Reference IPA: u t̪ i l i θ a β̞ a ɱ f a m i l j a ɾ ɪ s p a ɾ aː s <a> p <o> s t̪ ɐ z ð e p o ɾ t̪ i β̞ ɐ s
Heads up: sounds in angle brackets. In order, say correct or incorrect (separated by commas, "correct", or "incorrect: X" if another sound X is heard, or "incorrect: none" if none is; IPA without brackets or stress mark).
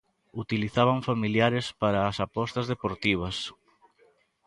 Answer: correct, incorrect: ɔ